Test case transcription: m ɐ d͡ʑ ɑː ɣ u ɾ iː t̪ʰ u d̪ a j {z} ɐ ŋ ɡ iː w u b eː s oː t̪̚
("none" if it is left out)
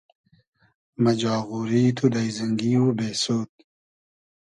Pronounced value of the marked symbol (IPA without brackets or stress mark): z